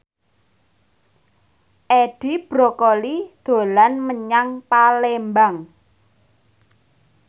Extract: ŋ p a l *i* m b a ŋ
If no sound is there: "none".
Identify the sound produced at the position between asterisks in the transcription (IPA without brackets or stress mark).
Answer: e